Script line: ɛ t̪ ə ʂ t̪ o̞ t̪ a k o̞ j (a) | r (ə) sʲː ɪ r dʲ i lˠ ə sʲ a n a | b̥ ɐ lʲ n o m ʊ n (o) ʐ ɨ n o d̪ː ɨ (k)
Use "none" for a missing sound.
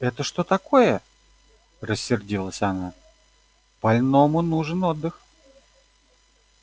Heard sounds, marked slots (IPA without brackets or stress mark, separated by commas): ə, ə, u, x